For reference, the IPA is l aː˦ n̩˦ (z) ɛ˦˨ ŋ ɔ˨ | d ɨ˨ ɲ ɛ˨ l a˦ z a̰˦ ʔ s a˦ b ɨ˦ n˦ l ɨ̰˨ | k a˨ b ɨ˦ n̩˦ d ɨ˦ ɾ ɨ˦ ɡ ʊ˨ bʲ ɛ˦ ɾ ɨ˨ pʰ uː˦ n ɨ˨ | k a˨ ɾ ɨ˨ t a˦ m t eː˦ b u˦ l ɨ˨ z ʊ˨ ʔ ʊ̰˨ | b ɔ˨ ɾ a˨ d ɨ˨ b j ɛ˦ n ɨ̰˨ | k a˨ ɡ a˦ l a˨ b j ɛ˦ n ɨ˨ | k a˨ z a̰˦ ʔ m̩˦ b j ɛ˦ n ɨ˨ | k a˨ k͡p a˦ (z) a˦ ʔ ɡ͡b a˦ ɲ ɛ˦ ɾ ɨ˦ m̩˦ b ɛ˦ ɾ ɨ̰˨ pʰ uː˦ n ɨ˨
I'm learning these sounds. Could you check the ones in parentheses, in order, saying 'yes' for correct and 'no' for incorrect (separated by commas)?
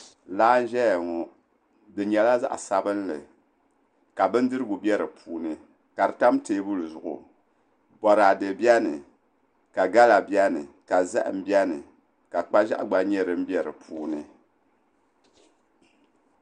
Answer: no, no